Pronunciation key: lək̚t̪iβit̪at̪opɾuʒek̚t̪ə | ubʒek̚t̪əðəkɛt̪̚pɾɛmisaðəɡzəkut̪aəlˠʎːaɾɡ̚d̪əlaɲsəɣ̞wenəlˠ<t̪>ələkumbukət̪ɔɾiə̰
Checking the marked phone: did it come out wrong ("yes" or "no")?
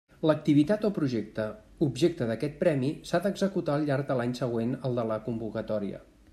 yes